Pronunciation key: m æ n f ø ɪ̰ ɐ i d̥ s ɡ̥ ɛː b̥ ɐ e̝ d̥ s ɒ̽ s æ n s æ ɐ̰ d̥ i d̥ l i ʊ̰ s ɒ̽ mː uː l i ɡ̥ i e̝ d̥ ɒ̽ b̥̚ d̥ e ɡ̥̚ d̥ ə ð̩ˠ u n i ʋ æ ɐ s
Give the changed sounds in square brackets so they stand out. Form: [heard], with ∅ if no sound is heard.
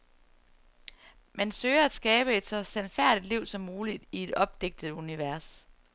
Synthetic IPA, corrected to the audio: m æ n [s] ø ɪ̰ ɐ [æ] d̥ s ɡ̥ ɛː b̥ [ə] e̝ d̥ s ɒ̽ s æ n [f] æ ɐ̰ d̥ i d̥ l i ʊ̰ s ɒ̽ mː uː l i [d̥] i e̝ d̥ ɒ̽ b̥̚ d̥ e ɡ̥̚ d̥ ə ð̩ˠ u n i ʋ æ ɐ s